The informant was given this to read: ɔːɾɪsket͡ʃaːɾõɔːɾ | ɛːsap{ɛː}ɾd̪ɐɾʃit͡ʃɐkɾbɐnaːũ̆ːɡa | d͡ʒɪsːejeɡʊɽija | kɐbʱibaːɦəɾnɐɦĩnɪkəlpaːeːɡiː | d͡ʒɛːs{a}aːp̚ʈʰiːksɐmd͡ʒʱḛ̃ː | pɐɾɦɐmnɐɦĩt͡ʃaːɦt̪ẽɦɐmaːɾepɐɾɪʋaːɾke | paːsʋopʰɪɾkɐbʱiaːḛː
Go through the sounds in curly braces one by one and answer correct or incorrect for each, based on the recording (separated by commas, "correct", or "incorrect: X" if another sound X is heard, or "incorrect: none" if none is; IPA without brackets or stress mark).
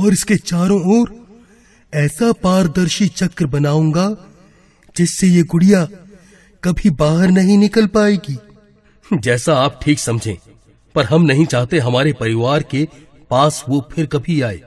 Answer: incorrect: aː, correct